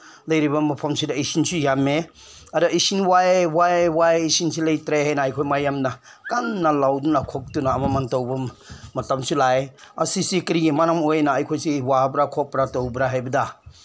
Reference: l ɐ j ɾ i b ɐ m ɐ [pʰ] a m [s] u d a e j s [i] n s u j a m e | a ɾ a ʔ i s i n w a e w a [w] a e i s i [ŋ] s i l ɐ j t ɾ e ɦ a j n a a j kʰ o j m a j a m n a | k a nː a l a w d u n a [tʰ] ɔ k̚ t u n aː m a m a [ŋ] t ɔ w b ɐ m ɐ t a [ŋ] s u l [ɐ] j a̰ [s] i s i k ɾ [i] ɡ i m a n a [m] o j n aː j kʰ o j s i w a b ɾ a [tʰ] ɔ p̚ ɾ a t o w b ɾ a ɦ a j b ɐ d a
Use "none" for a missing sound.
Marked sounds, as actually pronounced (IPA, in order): pʰ, s, i, w, n, kʰ, n, m, a, s, i, m, kʰ

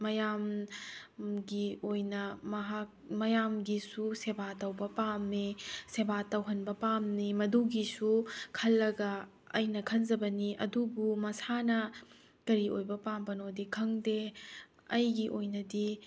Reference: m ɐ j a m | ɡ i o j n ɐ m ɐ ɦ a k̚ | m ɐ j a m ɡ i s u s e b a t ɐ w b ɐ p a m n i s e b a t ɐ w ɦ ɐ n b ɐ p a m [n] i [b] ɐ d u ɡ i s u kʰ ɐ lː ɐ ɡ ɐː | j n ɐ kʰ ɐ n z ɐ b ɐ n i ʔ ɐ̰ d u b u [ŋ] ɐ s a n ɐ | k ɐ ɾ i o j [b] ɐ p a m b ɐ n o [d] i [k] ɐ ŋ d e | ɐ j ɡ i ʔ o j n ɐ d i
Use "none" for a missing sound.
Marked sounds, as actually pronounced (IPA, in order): n, m, m, b, d, kʰ

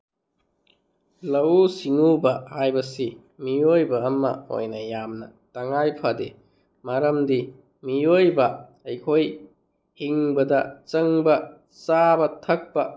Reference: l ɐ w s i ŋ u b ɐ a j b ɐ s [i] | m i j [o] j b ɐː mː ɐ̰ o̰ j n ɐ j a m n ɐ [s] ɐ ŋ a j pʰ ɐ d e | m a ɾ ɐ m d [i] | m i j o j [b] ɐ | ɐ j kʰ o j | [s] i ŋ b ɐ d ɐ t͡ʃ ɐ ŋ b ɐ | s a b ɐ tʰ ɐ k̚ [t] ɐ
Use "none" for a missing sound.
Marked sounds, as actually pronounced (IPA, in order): i, o, t, i, b, h, p

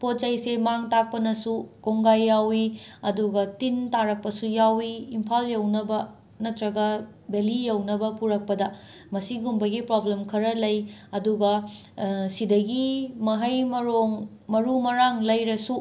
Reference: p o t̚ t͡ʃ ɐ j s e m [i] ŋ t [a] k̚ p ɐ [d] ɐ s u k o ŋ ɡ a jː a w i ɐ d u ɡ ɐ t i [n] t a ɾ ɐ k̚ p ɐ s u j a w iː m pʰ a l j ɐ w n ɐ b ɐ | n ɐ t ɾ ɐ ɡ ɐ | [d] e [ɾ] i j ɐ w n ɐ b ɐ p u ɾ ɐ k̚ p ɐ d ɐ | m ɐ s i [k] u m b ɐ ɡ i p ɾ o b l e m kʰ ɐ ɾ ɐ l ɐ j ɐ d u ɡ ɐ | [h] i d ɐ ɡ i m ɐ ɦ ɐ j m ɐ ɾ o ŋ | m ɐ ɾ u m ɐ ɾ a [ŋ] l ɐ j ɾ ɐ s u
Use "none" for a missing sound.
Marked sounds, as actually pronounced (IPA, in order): a, a, n, n, b, l, ɡ, s, ŋ

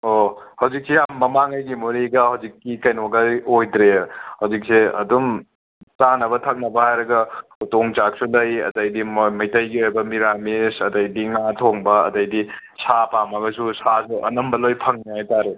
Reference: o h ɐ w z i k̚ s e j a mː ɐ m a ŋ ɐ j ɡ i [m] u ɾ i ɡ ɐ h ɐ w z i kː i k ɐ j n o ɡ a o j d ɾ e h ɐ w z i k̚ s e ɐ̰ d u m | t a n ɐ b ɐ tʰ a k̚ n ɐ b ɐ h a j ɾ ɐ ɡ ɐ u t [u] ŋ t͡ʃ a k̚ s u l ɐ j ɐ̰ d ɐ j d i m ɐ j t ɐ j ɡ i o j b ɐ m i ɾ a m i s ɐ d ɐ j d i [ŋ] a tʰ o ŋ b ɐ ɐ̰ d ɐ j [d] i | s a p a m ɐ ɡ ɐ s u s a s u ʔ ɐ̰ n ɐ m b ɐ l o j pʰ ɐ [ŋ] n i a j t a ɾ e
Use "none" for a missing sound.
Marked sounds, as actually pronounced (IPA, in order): m, o, ŋ, d, ŋ

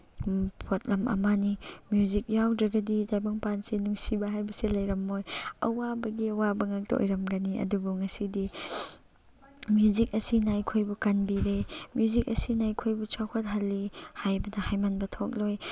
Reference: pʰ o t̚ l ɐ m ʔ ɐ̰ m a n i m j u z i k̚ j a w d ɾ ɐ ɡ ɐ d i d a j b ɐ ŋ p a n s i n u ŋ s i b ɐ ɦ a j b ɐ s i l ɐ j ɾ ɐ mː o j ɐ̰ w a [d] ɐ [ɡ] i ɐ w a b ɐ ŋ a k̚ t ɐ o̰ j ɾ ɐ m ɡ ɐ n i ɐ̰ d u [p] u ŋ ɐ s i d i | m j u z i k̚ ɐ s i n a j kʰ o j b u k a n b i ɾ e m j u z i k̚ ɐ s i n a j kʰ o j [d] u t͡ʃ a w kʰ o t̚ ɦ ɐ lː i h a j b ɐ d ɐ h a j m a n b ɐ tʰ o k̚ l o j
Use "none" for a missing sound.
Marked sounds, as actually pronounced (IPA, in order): b, ɡ, b, b

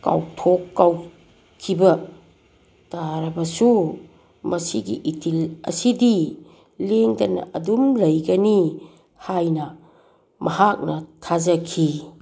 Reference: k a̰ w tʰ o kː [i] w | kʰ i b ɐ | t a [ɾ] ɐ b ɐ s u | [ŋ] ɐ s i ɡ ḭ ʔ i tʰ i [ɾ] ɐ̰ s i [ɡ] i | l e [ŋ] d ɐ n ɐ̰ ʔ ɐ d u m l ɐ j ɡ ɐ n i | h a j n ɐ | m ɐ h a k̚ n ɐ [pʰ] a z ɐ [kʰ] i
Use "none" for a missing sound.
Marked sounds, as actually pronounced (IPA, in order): a, ɾ, m, l, d, ŋ, tʰ, kʰ

